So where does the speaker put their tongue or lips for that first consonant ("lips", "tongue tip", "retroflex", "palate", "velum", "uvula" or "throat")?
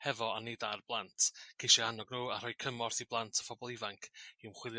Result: throat